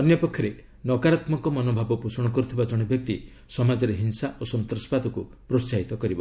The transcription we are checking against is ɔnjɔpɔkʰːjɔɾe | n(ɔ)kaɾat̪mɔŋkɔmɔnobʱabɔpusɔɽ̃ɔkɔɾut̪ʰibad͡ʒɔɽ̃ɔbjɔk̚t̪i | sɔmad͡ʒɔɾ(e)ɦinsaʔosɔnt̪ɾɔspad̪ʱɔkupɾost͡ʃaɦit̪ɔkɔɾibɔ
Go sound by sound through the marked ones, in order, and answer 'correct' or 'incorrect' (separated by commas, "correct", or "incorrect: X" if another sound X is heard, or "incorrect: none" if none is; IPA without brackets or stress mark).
correct, correct